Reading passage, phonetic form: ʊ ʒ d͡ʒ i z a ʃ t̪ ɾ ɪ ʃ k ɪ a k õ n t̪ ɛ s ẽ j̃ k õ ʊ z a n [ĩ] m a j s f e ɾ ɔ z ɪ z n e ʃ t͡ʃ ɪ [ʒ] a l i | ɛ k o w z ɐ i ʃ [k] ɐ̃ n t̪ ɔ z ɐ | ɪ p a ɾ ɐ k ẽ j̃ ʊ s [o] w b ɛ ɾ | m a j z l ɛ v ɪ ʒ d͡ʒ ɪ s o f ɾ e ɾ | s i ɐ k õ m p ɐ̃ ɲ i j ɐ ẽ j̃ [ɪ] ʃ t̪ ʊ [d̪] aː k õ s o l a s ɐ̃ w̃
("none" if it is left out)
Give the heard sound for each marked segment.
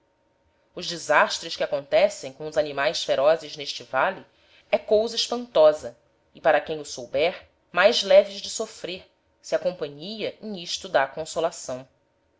i, v, p, o, i, d̪

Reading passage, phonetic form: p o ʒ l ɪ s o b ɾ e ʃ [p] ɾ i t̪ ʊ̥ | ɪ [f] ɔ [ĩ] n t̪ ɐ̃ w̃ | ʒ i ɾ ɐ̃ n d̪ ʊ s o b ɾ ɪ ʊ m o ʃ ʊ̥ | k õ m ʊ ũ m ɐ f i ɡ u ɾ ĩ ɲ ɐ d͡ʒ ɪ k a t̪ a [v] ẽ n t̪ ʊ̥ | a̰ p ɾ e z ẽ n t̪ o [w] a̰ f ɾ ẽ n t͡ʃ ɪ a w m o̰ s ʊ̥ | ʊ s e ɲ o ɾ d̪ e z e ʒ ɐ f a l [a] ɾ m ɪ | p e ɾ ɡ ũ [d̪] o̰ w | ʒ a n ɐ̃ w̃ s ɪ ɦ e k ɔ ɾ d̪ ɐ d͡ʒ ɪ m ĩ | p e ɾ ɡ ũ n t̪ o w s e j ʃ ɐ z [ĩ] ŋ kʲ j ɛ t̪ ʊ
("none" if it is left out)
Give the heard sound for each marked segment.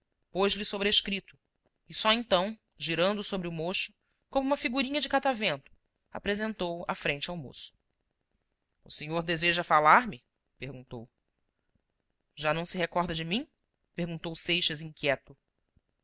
k, s, ẽ, v, w, a, t̪, ĩ

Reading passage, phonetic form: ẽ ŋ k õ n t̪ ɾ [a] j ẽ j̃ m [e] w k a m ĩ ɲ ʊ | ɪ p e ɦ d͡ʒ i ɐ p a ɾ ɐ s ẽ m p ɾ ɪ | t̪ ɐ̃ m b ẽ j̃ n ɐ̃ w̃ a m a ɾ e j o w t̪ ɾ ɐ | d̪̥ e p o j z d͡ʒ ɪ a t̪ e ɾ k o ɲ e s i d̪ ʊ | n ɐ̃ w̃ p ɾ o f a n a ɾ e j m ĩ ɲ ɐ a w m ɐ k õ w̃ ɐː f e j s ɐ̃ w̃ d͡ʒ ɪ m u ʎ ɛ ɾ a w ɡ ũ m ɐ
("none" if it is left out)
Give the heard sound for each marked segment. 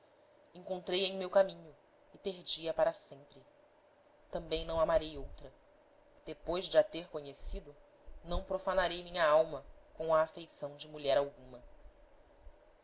e, e

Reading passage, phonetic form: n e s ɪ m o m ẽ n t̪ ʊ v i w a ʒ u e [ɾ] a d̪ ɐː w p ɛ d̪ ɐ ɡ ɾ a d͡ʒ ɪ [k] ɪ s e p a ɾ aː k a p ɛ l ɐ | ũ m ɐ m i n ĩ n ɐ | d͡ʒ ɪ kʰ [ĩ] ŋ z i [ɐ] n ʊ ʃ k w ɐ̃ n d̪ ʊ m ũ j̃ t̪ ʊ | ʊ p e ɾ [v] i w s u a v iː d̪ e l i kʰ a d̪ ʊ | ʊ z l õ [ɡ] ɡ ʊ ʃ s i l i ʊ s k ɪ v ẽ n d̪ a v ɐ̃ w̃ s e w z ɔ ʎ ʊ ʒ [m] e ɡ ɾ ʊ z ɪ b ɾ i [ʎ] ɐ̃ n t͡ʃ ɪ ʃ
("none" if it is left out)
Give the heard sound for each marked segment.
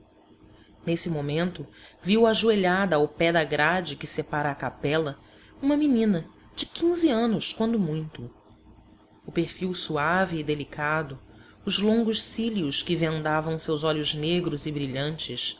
ʎ, k, ĩ, ɐ̃, f, ŋ, n, ʎ

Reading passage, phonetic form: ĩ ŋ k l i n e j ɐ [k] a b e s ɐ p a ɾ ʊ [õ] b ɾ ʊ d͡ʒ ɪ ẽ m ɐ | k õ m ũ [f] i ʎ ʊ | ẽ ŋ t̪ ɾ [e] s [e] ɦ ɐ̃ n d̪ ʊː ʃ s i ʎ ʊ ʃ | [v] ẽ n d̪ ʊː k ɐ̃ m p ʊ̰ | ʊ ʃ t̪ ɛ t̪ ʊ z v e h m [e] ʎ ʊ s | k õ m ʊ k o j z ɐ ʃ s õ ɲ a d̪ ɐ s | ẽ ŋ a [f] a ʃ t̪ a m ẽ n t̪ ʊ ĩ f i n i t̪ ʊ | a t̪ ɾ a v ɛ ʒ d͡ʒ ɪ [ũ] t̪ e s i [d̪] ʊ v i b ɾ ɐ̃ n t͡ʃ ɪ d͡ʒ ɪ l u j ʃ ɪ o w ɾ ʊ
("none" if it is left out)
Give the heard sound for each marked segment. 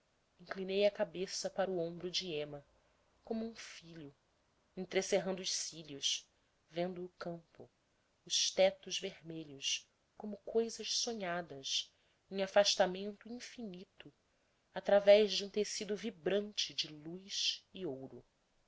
k, õ, f, e, e, v, e, f, ũ, d̪

